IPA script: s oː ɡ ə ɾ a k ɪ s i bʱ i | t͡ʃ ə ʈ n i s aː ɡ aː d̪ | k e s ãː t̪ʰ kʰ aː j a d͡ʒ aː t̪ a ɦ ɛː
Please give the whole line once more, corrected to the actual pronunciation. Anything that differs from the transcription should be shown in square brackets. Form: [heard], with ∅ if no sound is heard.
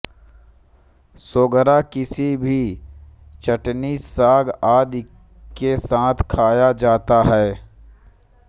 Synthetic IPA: s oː ɡ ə ɾ a k ɪ s i bʱ i | t͡ʃ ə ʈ n i s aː ɡ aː d̪ | k e s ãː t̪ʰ kʰ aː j a d͡ʒ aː t̪ a ɦ ɛː